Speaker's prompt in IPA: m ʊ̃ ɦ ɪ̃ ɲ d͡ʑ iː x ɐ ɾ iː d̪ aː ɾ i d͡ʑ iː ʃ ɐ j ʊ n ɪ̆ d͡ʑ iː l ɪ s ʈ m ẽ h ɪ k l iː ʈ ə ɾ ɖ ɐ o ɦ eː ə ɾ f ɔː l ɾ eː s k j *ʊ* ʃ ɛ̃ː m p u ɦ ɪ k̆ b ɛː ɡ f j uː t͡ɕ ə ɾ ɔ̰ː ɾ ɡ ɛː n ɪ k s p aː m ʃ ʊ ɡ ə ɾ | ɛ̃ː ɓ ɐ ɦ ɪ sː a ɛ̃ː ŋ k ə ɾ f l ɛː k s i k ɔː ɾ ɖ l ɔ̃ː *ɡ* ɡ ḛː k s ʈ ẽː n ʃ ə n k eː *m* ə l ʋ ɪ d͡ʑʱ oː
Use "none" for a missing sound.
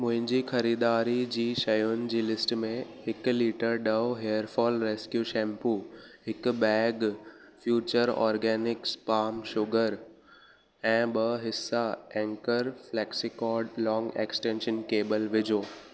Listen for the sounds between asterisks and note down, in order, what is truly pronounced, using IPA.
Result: u, ŋ, b

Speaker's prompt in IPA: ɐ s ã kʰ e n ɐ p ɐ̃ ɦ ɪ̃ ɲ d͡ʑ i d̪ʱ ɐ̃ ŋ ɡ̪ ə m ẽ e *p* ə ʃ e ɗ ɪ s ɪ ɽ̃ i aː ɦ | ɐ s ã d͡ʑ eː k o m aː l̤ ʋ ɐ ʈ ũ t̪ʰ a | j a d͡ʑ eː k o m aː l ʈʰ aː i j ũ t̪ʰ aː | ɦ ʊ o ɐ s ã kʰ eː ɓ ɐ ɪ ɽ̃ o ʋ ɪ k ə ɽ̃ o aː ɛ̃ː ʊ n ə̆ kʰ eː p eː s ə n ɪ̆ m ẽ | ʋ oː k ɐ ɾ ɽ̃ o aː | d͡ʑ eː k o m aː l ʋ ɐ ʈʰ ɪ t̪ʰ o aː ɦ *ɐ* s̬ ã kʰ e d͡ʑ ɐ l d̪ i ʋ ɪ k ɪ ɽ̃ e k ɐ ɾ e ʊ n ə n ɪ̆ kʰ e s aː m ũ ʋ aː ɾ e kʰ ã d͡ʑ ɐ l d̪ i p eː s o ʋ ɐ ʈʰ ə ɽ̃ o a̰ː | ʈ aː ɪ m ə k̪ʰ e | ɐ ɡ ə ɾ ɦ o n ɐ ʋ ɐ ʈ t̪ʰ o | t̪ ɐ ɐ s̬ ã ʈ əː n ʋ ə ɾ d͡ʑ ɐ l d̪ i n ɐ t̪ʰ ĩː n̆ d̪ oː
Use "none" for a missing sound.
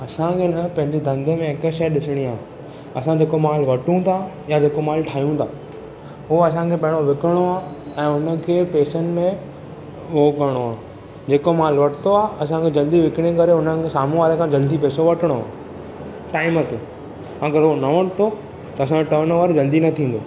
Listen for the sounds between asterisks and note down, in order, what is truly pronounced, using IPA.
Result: k, ɐ

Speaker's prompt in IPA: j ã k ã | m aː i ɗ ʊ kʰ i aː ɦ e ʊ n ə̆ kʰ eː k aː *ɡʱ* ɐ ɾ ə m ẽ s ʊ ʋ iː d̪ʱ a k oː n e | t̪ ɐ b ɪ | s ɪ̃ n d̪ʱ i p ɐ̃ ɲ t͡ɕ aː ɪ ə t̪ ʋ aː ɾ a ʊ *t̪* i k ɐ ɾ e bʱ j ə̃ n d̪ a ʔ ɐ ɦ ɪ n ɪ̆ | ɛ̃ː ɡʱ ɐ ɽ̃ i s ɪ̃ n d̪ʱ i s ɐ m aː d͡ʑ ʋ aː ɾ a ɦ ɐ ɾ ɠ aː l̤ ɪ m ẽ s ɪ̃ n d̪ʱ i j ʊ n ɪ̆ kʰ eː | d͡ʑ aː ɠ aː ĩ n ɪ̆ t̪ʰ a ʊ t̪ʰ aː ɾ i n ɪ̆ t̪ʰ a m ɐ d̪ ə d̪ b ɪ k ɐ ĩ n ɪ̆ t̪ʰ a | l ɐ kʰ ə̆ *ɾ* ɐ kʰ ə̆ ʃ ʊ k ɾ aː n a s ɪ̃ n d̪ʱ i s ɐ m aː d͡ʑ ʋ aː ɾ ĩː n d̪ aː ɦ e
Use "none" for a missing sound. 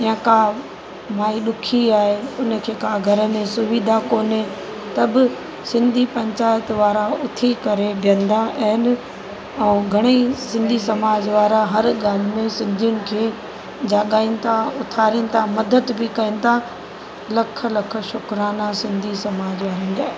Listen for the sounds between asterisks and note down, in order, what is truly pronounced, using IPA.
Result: ɡʱ, t̪ʰ, l

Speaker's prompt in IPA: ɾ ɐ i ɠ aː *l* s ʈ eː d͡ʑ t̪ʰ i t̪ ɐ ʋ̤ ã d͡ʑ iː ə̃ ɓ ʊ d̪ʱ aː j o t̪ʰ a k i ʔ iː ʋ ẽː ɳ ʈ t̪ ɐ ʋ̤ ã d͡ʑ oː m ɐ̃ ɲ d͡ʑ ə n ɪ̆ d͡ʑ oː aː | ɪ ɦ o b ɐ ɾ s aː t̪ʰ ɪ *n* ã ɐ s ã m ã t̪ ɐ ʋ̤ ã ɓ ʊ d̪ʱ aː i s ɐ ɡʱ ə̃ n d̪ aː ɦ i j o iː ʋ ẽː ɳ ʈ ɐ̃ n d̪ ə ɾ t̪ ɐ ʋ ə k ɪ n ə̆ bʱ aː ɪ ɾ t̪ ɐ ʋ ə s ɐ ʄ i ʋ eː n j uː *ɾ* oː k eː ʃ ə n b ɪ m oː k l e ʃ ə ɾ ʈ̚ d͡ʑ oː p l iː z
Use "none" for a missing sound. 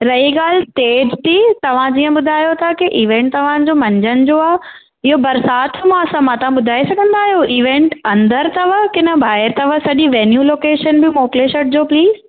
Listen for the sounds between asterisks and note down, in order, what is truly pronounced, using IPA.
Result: l, m, l

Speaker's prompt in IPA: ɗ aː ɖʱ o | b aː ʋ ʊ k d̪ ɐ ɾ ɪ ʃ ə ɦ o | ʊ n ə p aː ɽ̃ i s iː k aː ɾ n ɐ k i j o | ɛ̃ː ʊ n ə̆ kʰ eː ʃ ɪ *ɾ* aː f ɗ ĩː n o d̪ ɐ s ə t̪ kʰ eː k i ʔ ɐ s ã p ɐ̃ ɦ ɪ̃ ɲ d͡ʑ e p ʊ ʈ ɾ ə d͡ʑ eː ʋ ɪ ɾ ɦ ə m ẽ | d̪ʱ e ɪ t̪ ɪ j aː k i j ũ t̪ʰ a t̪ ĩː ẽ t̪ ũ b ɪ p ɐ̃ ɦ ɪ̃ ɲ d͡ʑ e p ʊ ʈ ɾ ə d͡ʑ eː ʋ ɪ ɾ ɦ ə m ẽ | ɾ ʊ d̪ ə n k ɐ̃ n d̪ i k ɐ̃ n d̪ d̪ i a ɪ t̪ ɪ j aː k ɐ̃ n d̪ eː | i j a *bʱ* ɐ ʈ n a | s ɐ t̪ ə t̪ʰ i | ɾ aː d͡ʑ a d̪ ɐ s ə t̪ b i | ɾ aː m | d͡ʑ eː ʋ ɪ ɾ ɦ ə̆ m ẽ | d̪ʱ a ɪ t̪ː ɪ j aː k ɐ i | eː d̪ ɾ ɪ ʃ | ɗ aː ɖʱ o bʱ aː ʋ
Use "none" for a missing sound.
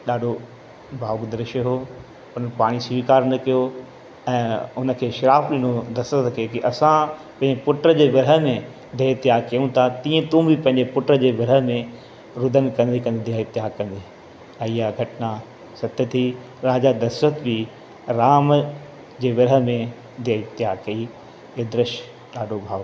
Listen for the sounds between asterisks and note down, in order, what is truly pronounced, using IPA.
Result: ɾ, ɡʱ

